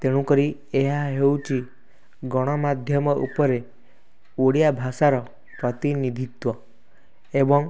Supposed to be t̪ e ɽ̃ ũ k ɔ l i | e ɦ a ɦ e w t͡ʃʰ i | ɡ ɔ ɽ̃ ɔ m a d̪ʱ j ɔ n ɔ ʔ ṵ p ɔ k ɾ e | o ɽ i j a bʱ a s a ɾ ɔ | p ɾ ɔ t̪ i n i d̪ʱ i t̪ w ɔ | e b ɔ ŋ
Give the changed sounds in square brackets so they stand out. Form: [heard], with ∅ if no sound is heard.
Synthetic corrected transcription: t̪ e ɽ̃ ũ k ɔ [ɾ] i | e ɦ a ɦ e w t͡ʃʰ i | ɡ ɔ ɽ̃ ɔ m a d̪ʱ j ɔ [m] ɔ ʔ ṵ p ɔ [∅] ɾ e | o ɽ i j a bʱ a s a ɾ ɔ | p ɾ ɔ t̪ i n i d̪ʱ i t̪ w ɔ | e b ɔ ŋ

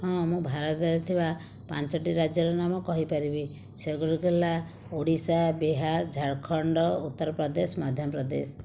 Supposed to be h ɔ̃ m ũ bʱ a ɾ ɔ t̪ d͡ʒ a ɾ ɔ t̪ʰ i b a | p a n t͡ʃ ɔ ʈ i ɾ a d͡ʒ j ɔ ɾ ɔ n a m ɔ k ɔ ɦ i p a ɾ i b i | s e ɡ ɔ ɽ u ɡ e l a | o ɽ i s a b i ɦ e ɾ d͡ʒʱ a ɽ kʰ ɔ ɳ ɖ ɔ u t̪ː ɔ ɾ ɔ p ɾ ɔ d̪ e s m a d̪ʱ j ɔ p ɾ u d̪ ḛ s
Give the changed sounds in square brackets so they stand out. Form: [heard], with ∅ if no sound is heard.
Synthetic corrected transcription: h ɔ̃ m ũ bʱ a ɾ ɔ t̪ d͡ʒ a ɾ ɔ t̪ʰ i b a | p a n t͡ʃ ɔ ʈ i ɾ a d͡ʒ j ɔ ɾ ɔ n a m ɔ k ɔ ɦ i p a ɾ i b i | s e ɡ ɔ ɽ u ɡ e l a | o ɽ i s a b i ɦ [a] ɾ d͡ʒʱ a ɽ kʰ ɔ ɳ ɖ ɔ u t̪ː ɔ ɾ ɔ p ɾ ɔ d̪ e s m a d̪ʱ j ɔ p ɾ [ɔ] d̪ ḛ s

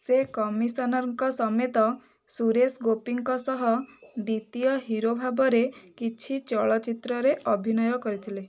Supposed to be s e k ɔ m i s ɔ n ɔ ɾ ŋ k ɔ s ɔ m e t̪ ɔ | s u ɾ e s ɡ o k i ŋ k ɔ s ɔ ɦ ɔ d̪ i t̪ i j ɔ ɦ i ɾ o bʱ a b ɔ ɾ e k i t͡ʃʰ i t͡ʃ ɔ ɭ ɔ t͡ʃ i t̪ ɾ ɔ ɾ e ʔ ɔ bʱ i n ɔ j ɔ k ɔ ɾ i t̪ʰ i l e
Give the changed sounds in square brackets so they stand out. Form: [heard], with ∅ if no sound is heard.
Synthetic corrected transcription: s e k ɔ m i s ɔ n ɔ ɾ ŋ k ɔ s ɔ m e t̪ ɔ | s u ɾ e s ɡ o [p] i ŋ k ɔ s ɔ ɦ ɔ d̪ i t̪ i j ɔ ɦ i ɾ o bʱ a b ɔ ɾ e k i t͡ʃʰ i t͡ʃ ɔ ɭ ɔ t͡ʃ i t̪ ɾ ɔ ɾ e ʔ ɔ bʱ i n ɔ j ɔ k ɔ ɾ i t̪ʰ i l e

